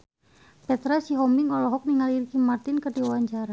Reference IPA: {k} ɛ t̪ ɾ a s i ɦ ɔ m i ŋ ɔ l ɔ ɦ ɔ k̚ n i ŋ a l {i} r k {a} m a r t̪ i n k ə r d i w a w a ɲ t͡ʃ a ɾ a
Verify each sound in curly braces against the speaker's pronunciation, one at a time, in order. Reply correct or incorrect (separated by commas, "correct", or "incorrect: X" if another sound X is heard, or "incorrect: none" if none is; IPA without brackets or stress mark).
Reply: incorrect: p, correct, incorrect: i